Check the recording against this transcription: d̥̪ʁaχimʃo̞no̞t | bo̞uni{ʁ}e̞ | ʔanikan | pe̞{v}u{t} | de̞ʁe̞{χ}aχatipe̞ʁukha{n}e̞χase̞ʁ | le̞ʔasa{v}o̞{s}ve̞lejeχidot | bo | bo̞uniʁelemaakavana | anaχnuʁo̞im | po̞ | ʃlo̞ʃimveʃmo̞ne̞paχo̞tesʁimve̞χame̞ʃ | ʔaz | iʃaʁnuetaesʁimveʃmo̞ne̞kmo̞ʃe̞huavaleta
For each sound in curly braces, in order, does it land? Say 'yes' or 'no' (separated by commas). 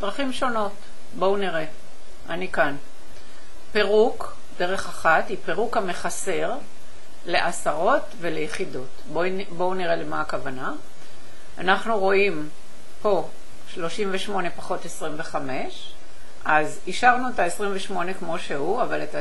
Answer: yes, no, no, yes, no, no, no